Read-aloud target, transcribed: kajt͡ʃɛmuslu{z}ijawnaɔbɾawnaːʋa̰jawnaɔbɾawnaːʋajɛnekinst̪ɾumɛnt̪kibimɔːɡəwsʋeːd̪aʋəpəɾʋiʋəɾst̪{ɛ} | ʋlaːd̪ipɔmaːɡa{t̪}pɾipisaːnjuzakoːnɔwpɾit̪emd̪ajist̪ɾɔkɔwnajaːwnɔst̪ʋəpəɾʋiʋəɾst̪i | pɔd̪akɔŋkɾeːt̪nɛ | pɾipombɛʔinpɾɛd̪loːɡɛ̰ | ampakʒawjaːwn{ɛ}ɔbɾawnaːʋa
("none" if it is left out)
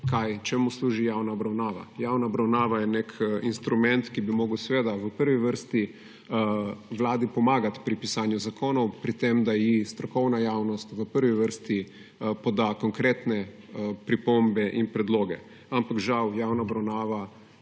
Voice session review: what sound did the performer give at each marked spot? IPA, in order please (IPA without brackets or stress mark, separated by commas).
ʒ, i, t̪, a